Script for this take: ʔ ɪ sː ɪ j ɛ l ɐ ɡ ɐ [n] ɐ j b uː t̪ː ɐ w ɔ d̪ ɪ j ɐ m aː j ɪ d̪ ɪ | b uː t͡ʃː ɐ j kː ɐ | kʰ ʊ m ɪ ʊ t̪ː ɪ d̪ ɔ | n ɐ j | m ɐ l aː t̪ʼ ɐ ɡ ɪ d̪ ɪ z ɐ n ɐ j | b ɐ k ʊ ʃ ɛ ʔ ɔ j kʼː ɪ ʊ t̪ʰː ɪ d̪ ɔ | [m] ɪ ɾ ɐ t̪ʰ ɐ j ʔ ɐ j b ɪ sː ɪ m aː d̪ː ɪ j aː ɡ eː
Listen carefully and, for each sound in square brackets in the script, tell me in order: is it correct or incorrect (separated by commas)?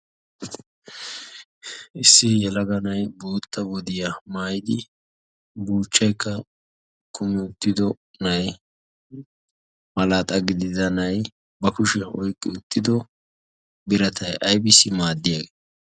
correct, incorrect